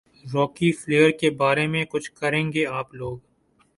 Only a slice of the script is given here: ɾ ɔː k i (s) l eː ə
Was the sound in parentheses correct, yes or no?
no